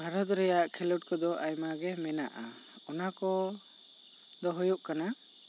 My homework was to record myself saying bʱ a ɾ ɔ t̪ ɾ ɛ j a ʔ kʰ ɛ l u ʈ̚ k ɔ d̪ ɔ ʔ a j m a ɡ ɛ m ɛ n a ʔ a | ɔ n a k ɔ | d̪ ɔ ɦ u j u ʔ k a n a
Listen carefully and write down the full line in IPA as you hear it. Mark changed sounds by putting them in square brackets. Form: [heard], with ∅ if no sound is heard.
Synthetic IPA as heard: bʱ a ɾ ɔ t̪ ɾ ɛ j a ʔ kʰ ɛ l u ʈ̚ k ɔ d̪ ɔ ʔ a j m a ɡ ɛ m ɛ n a ʔ a | ɔ n a k ɔ | d̪ ɔ ɦ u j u ʔ k a n a